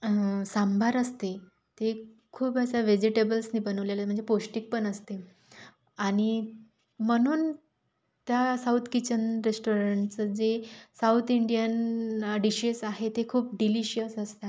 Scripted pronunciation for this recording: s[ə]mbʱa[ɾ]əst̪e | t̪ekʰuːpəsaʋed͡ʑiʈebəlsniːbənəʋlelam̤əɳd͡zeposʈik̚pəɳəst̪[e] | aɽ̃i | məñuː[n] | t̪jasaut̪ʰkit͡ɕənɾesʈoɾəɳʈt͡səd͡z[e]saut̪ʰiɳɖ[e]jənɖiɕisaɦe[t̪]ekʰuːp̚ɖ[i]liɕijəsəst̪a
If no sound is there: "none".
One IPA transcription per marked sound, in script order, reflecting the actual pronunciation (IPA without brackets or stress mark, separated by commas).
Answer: a, ɾ, e, n, e, i, t̪, i